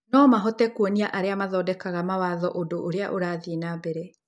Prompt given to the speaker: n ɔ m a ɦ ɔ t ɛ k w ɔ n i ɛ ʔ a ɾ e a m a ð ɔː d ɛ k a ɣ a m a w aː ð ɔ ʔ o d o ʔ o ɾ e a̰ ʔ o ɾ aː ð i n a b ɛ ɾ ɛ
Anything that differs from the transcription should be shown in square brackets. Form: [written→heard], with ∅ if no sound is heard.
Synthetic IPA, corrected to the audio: n ɔ m a ɦ ɔ t ɛ k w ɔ n i [ɛ→a] ʔ a ɾ e a m a ð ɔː d ɛ k a ɣ a m a w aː ð ɔ ʔ o d o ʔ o ɾ e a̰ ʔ o ɾ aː ð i n a b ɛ ɾ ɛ